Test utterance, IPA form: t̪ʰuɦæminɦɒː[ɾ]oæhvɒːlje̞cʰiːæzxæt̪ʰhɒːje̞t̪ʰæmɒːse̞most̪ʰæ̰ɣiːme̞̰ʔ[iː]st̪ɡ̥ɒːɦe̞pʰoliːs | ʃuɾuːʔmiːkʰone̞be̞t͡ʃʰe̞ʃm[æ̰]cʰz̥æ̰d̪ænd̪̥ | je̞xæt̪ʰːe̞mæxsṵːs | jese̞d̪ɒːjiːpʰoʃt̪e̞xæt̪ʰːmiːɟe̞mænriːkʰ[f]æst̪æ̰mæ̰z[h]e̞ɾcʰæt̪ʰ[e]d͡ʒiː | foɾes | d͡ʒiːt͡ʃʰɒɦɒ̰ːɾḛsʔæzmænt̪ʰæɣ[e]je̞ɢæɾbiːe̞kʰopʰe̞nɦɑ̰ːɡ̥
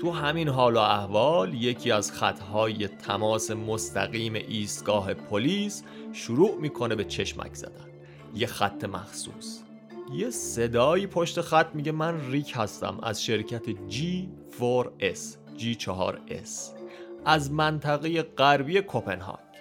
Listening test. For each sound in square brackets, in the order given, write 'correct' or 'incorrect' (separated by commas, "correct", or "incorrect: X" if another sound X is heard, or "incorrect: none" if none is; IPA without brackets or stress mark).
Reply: incorrect: l, correct, correct, incorrect: h, incorrect: ʃ, correct, correct